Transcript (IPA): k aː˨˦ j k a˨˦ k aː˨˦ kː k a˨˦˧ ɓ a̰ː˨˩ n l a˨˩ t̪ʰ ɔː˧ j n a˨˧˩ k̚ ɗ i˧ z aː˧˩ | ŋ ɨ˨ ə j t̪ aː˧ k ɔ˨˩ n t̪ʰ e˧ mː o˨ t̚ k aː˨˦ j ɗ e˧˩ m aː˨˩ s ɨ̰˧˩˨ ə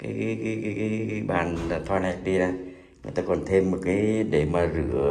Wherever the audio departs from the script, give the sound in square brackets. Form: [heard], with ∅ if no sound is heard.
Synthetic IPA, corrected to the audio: k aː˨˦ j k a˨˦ k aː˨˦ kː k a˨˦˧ ɓ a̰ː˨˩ n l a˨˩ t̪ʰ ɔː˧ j n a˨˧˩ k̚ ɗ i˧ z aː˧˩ | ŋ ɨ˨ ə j t̪ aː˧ k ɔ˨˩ n t̪ʰ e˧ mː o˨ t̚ k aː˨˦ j ɗ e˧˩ m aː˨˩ [z] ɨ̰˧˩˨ ə

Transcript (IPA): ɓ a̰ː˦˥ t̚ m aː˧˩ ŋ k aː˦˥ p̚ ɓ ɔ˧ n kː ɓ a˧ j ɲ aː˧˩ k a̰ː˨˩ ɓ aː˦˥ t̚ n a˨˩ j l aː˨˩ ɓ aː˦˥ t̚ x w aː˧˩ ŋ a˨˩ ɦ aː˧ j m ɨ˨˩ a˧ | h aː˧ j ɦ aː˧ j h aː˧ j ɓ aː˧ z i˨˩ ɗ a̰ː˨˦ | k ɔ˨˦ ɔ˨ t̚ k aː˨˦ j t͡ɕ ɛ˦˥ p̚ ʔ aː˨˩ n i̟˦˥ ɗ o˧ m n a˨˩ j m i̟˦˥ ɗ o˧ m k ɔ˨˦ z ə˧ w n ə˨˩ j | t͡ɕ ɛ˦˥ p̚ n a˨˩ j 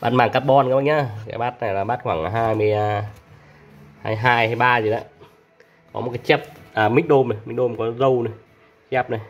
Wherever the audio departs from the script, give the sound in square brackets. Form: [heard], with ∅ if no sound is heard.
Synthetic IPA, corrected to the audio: ɓ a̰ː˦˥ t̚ m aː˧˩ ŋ k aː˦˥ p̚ ɓ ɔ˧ n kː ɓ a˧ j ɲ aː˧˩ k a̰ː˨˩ ɓ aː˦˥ t̚ n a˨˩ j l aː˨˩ ɓ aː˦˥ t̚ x w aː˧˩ ŋ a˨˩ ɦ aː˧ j m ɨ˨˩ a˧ | h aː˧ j ɦ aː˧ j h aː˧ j ɓ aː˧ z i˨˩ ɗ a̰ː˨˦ | k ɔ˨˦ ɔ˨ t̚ k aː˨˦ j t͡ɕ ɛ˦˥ p̚ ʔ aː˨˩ [m] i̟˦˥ ɗ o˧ m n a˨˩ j m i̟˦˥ ɗ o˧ m k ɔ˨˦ z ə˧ w n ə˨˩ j | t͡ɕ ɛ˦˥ p̚ n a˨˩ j

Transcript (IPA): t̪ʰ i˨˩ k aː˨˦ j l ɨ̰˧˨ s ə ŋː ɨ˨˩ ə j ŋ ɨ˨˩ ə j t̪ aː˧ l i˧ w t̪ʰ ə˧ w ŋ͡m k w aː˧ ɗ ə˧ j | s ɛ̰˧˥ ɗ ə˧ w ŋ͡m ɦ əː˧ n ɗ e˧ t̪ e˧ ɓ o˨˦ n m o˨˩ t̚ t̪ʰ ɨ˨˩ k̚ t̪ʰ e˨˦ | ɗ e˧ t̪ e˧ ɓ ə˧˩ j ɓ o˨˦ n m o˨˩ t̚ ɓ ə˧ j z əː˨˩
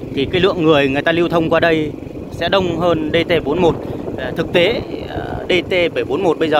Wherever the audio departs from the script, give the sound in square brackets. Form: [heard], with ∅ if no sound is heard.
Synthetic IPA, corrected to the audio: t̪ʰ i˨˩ k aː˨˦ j l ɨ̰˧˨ [∅] ə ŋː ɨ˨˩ ə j ŋ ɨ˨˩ ə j t̪ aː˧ l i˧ w t̪ʰ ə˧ w ŋ͡m k w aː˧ ɗ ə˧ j | s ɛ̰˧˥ ɗ ə˧ w ŋ͡m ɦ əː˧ n ɗ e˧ t̪ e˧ ɓ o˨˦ n m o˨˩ t̚ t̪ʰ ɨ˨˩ k̚ [t̪] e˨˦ | ɗ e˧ t̪ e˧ ɓ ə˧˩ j ɓ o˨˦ n m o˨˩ t̚ ɓ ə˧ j z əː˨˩

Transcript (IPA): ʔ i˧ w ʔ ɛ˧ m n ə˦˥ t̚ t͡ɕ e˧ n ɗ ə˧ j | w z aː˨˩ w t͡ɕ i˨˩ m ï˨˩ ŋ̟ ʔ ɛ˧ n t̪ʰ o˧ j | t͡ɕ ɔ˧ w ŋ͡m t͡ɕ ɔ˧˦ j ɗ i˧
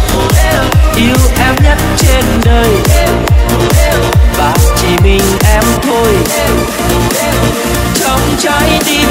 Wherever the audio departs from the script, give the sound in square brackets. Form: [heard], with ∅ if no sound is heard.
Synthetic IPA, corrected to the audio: ʔ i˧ w ʔ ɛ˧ m [ɲ] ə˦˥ t̚ t͡ɕ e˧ n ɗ [əː˧] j | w [v] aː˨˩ w t͡ɕ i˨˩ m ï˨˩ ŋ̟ ʔ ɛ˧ [m] t̪ʰ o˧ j | t͡ɕ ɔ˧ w ŋ͡m t͡ɕ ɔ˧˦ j ɗ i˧

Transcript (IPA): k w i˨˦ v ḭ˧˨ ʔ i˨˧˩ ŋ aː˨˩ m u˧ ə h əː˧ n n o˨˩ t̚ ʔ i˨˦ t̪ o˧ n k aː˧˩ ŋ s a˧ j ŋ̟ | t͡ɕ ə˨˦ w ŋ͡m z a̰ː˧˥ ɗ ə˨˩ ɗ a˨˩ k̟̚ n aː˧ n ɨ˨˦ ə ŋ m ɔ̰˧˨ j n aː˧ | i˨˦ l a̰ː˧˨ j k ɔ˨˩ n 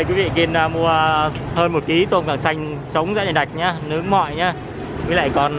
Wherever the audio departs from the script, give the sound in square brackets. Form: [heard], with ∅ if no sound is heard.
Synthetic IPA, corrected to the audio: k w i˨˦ v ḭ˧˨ [k] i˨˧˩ [n] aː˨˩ m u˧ ə h əː˧ n [m] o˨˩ t̚ [k] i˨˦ t̪ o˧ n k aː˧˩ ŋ s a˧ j ŋ̟ | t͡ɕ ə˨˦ w ŋ͡m z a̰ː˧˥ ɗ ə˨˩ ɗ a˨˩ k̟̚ [ɲ] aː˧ n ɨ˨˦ ə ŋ m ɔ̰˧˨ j [ɲ] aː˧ | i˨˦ l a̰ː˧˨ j k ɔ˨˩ n

